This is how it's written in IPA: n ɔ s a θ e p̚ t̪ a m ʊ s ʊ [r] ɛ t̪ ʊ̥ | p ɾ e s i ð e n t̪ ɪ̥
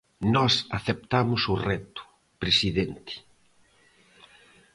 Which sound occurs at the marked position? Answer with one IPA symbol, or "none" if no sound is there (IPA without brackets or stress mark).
r